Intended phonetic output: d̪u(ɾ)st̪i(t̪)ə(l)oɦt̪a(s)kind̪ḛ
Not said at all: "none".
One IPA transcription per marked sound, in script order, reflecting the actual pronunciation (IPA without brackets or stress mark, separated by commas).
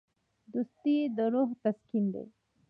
none, d̪, ɾ, s